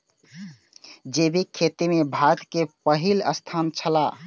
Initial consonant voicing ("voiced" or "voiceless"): voiced